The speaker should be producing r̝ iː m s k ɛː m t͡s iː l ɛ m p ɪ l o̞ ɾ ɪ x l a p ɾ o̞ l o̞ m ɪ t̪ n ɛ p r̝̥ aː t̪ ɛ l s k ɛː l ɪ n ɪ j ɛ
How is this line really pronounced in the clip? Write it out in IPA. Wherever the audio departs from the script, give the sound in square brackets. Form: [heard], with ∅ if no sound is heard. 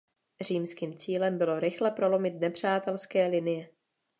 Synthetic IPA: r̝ iː m s k [iː] m t͡s iː l ɛ m [b] ɪ l o̞ ɾ ɪ x l [ɛ] p ɾ o̞ l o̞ m ɪ t̪ n ɛ p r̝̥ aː t̪ ɛ l s k ɛː l ɪ n ɪ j ɛ